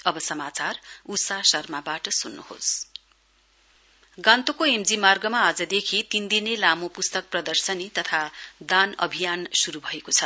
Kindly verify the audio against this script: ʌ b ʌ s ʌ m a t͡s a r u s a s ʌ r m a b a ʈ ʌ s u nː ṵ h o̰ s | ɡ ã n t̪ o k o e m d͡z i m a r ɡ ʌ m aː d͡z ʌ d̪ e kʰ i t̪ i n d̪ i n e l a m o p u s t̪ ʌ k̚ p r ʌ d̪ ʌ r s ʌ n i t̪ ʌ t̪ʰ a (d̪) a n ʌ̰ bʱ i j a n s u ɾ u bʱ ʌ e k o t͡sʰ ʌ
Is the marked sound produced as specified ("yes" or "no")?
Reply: yes